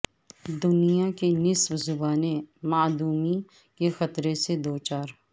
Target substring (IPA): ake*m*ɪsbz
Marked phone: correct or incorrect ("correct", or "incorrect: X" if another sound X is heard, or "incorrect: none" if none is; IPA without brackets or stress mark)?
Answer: incorrect: n